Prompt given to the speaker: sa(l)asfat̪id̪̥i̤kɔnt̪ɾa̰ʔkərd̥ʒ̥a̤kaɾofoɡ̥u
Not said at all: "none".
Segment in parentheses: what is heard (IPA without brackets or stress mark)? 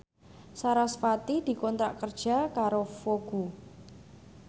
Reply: ɾ